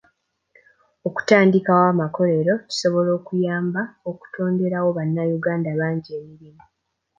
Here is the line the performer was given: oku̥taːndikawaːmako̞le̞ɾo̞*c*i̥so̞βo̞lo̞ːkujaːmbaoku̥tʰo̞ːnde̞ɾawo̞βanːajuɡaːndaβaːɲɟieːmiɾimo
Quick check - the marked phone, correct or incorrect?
correct